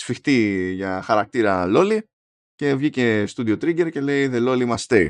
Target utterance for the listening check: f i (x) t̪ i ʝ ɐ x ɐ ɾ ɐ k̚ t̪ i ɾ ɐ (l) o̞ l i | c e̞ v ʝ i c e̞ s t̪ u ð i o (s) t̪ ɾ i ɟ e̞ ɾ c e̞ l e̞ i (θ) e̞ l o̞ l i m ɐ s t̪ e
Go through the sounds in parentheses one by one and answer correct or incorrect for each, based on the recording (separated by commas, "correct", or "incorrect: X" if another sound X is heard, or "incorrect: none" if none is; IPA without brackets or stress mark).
correct, correct, incorrect: none, incorrect: ð